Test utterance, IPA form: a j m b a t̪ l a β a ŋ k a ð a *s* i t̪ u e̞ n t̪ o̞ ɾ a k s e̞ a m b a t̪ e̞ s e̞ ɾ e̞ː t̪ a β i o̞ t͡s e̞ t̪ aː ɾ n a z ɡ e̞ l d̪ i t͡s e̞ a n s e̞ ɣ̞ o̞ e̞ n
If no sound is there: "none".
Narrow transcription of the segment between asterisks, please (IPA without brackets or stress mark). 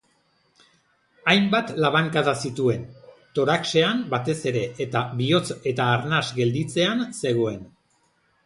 s